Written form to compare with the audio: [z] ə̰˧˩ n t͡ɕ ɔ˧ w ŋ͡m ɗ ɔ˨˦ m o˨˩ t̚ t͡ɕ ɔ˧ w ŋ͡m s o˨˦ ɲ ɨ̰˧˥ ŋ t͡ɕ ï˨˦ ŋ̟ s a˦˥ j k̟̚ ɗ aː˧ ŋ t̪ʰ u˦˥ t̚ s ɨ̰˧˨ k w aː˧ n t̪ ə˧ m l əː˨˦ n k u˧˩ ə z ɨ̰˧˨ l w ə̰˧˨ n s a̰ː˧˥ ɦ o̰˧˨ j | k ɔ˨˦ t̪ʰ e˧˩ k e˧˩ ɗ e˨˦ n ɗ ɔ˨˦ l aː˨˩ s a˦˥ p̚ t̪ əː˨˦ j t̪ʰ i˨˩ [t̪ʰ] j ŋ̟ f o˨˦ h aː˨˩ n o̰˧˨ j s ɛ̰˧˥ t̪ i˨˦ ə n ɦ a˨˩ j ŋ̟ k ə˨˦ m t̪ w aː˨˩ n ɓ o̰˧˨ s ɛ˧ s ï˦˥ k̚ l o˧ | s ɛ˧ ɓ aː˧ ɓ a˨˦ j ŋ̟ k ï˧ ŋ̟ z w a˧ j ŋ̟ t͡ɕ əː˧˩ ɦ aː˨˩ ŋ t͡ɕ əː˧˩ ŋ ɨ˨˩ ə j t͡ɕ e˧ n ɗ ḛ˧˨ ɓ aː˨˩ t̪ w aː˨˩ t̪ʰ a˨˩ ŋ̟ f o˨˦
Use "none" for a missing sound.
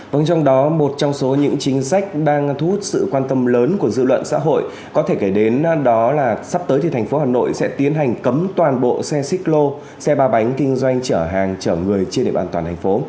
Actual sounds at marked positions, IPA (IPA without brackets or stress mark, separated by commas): v, t̪ʰ